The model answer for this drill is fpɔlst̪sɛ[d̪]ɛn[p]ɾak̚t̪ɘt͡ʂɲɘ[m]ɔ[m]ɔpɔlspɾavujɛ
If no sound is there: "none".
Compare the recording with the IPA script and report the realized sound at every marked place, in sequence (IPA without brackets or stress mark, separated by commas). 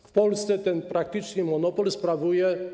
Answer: t̪, p, m, n